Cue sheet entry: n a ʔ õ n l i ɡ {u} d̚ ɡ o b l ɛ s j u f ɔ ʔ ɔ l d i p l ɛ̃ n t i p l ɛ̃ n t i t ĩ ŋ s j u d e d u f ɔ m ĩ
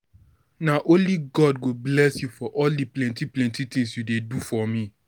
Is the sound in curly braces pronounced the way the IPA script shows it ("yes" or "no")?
no